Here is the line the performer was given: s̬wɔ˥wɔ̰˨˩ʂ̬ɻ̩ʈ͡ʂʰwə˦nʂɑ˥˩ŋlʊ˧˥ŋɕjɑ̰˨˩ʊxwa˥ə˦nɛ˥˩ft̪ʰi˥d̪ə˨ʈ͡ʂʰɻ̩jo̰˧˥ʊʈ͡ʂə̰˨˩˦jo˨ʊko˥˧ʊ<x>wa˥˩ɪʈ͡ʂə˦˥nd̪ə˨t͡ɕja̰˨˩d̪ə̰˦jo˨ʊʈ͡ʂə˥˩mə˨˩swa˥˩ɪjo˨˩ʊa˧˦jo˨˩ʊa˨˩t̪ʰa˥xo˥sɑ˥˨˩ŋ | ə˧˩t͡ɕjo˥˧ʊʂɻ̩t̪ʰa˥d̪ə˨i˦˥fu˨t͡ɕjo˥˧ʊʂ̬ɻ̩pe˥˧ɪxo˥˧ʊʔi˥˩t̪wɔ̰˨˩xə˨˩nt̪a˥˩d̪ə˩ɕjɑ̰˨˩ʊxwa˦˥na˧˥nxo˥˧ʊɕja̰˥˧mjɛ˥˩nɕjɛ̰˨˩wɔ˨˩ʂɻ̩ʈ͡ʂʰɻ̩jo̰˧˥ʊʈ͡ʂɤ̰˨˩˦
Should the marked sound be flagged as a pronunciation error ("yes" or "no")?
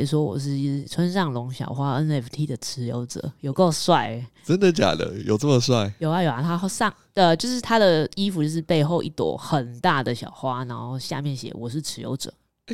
yes